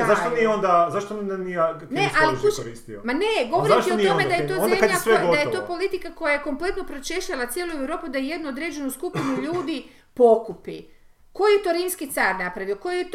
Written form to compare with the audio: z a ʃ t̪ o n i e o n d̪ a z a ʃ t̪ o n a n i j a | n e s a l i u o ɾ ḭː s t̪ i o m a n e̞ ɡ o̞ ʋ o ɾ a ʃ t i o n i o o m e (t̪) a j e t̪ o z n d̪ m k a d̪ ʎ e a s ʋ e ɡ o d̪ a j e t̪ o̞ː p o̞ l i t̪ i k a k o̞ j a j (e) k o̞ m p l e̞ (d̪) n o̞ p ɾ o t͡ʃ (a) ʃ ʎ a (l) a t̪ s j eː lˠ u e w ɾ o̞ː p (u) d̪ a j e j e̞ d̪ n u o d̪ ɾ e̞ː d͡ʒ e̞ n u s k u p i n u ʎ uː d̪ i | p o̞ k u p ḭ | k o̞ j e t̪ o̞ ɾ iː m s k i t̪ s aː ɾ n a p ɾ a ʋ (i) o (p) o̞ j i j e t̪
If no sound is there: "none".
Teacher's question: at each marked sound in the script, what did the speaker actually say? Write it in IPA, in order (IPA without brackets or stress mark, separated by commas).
d̪, e, t̪, e, l, u, i, k